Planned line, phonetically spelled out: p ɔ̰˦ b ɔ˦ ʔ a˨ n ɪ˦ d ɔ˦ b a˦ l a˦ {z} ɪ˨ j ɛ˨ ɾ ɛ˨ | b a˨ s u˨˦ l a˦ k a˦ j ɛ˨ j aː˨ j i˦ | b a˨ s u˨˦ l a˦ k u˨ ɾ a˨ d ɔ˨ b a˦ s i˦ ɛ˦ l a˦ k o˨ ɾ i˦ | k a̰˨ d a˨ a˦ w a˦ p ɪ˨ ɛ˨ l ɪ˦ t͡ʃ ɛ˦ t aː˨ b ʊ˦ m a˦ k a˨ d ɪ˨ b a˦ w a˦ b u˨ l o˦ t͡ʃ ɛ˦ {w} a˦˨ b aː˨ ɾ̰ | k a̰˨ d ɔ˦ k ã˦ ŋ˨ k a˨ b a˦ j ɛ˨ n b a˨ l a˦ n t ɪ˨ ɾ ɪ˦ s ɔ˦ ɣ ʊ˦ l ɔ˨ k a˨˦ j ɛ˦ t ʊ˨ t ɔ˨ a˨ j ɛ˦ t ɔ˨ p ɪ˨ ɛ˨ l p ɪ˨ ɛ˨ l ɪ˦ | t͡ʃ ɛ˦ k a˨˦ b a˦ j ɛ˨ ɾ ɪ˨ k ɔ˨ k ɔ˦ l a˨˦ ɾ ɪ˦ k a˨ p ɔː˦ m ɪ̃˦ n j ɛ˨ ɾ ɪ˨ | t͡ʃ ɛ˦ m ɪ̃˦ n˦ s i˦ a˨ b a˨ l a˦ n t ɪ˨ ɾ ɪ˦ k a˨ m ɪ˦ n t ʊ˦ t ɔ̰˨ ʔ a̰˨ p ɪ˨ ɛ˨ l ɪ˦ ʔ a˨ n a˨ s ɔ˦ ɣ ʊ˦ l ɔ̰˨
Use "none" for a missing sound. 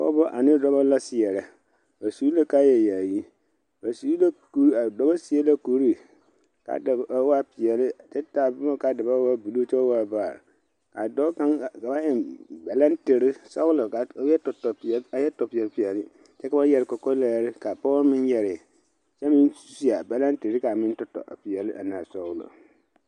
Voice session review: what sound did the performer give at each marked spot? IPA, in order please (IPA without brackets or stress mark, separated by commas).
s, w